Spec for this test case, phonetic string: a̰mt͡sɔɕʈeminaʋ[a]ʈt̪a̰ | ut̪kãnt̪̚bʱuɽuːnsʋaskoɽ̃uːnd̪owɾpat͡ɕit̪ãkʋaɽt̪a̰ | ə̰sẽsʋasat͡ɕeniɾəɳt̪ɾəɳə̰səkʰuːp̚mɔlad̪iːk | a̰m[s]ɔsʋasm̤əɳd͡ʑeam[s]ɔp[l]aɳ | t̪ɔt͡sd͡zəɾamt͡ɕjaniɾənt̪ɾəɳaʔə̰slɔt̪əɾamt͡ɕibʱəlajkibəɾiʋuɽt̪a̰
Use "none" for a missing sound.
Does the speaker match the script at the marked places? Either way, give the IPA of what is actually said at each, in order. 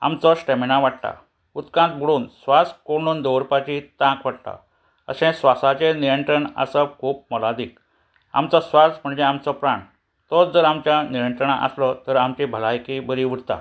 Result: a, t͡s, t͡s, ɾ

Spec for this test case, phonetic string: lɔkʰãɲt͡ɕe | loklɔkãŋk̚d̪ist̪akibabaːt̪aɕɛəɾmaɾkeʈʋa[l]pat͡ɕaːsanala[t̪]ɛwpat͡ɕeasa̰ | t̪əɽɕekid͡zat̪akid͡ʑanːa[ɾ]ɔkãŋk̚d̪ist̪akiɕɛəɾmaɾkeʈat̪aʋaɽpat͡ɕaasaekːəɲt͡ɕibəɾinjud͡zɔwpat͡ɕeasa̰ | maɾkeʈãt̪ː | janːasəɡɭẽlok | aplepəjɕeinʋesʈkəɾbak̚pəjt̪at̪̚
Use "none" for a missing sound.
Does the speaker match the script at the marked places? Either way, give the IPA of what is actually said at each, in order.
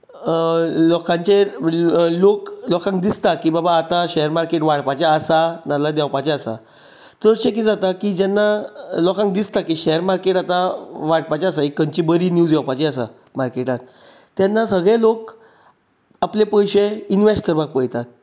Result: ɽ, d̪, l

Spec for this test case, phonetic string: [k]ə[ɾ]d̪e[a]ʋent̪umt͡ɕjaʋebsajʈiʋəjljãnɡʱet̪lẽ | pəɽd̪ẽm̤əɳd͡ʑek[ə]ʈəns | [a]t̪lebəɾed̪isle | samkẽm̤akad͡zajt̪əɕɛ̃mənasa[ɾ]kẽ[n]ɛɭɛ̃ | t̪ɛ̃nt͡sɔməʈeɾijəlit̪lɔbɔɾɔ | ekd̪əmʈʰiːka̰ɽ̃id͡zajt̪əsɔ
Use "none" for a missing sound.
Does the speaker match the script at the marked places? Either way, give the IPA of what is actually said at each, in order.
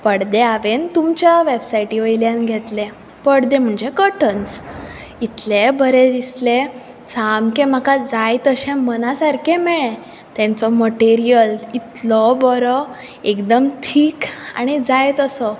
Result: p, ɽ, a, ə, i, ɾ, m

